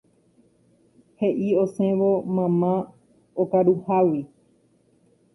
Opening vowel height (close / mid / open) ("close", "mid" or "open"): mid